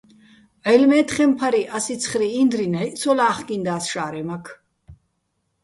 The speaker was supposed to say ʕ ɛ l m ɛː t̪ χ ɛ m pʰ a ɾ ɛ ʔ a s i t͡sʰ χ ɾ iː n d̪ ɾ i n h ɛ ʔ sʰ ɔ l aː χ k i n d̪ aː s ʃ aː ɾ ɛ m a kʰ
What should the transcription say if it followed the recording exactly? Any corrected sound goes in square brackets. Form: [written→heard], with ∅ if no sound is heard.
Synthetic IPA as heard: ʕ ɛ l m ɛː t̪ χ ɛ m pʰ a ɾ [ɛ→i] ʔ a s i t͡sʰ χ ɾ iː n d̪ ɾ i n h ɛ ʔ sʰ ɔ l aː χ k i n d̪ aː s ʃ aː ɾ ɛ m a kʰ